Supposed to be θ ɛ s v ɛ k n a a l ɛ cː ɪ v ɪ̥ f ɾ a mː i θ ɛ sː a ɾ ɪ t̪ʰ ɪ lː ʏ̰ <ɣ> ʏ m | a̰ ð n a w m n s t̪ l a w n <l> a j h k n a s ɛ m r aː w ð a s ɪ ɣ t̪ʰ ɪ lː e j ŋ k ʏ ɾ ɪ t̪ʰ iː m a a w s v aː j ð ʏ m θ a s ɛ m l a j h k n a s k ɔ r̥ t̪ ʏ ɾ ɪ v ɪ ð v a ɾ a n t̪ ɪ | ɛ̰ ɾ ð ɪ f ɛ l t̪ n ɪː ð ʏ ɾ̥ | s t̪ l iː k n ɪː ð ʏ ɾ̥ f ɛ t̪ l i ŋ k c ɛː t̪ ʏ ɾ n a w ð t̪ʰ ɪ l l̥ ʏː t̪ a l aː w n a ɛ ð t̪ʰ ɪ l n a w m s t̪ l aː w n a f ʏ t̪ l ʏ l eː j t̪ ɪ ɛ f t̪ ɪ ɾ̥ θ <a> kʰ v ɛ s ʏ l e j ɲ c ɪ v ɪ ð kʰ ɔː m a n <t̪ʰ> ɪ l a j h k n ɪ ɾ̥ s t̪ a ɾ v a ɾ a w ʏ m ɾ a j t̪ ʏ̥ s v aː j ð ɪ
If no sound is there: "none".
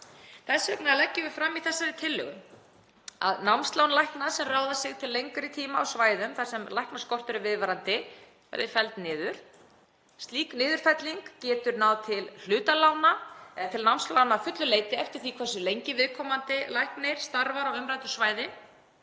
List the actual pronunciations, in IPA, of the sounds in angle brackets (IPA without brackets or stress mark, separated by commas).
ɣ, l, i, t̪